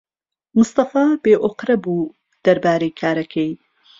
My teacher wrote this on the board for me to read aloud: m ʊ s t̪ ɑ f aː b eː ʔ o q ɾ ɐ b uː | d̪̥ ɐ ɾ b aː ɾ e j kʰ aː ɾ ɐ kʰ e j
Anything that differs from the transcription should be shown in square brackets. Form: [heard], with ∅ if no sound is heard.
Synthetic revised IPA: m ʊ s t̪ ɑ f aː b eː ʔ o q ɾ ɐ b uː | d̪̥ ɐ ɾ b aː ɾ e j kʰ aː ɾ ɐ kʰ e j